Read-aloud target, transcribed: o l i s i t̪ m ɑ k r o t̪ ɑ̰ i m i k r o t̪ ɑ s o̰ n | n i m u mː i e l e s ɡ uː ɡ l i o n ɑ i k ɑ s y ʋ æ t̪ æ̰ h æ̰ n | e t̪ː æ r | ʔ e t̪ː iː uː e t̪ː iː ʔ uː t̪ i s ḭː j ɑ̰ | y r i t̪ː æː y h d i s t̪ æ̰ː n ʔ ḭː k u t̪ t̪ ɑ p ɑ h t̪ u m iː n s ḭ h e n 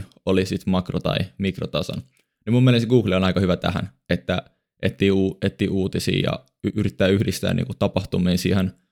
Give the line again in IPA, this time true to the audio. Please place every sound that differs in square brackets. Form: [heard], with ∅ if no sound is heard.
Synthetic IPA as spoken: o l i s i t̪ m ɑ k r o t̪ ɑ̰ i m i k r o t̪ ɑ s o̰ n | n i m u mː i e l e s ɡ uː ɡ l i o n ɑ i k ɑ [h] y ʋ æ t̪ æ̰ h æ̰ n | e t̪ː æ [∅] | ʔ e t̪ː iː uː e t̪ː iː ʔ uː t̪ i s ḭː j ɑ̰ | y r i t̪ː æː y h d i s t̪ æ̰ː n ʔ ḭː k u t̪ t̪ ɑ p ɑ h t̪ u m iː n s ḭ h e n